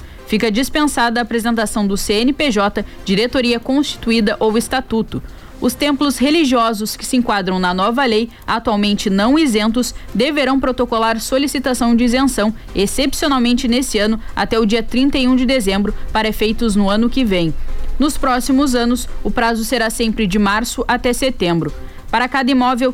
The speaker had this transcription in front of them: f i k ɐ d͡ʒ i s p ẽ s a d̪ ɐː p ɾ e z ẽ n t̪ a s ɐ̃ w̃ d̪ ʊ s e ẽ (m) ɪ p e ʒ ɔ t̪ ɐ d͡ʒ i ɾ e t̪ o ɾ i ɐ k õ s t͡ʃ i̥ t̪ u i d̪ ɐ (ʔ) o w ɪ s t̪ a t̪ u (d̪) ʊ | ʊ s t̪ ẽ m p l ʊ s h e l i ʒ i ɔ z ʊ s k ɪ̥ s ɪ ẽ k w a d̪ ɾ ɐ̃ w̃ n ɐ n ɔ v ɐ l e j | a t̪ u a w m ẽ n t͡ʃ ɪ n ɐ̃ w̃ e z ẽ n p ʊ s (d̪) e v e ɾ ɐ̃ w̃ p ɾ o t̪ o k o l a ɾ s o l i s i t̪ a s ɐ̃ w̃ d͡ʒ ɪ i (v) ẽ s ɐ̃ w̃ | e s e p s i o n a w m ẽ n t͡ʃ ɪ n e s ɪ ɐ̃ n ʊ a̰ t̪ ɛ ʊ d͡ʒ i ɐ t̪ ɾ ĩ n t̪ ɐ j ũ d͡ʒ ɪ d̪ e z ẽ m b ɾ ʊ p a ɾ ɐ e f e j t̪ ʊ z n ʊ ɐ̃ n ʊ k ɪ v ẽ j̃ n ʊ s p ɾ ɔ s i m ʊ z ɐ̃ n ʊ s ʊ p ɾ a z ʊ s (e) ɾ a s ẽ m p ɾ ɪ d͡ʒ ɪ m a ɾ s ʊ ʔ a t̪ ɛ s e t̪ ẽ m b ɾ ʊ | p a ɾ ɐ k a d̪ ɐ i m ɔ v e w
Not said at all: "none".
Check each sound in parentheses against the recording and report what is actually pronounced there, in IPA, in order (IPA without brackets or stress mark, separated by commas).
n, ʔ, t̪, d̪, z, e